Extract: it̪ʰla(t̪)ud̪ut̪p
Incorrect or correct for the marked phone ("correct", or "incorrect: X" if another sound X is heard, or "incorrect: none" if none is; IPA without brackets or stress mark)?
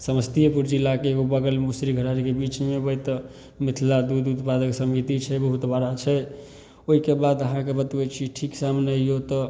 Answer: incorrect: d̪